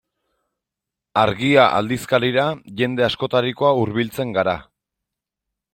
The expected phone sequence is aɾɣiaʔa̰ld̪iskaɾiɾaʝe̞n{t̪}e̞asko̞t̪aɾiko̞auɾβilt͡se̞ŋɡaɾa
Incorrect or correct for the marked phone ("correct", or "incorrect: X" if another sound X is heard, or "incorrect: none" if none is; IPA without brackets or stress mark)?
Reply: incorrect: d̪